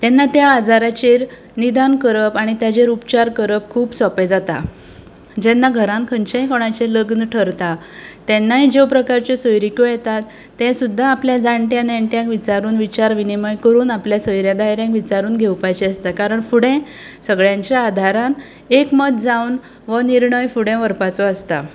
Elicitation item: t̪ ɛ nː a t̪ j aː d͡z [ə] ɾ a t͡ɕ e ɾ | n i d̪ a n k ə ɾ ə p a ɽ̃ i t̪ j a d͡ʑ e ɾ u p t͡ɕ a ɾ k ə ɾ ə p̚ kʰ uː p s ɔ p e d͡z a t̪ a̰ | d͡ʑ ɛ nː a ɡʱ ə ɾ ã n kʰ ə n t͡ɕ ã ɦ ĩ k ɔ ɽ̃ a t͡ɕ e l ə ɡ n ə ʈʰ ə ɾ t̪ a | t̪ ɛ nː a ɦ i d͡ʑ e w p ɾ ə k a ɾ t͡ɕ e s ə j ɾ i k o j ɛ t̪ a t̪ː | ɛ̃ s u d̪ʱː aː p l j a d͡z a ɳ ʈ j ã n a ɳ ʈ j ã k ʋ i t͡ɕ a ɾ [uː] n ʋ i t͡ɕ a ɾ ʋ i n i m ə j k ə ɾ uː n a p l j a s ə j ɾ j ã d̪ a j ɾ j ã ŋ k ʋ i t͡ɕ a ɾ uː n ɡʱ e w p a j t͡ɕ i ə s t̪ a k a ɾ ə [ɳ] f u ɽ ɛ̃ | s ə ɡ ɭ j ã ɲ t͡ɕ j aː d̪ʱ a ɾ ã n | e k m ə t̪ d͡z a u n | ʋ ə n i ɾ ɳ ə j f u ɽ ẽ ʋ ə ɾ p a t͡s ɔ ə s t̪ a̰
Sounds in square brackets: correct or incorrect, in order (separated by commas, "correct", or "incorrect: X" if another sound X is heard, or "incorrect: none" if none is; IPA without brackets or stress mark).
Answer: incorrect: a, correct, correct